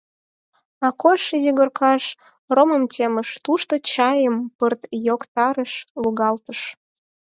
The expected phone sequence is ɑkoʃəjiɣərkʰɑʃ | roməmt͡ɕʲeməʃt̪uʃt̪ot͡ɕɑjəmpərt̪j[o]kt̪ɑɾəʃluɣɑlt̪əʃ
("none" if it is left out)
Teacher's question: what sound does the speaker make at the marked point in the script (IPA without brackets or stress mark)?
o